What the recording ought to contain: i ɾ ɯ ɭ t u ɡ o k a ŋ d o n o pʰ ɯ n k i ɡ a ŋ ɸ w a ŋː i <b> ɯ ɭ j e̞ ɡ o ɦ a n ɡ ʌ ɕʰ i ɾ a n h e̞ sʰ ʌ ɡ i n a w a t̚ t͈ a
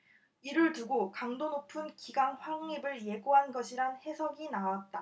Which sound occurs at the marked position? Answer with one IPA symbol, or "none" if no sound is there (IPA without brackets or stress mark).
b